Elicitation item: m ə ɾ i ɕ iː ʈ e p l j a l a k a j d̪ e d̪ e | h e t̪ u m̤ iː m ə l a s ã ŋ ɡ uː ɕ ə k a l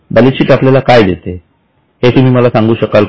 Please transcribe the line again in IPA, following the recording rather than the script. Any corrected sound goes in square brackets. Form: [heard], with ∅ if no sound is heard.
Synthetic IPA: [b] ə [l] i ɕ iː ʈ [a] p l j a l a k a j d̪ e [t̪] e | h e t̪ u m̤ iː m ə l a s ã ŋ ɡ uː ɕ ə k a l